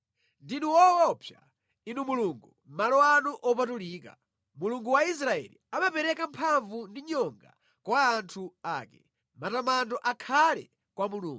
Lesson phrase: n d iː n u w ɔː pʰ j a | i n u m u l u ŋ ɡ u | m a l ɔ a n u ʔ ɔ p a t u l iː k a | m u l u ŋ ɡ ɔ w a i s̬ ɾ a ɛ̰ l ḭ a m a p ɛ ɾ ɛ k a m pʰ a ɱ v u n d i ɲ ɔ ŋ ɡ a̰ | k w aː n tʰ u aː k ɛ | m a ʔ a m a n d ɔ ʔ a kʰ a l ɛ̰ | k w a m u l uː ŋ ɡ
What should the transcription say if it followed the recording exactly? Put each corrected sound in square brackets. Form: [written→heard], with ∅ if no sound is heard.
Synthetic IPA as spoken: n d [iː→i] n u w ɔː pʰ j a | i n u m u l u ŋ ɡ u | m a l ɔ a n u ʔ ɔ p a t u l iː k a | m u l u ŋ ɡ [ɔ→u] w a i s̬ ɾ a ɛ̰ l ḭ a m a p ɛ ɾ ɛ k a m pʰ a ɱ v u n d i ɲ ɔ ŋ ɡ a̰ | k w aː n tʰ u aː k ɛ | m a [ʔ→t] a m a n d ɔ ʔ a kʰ a l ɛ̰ | k w a m u l uː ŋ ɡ